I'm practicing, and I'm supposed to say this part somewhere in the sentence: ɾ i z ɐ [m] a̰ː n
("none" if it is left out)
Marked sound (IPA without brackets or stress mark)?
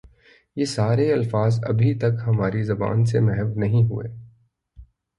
b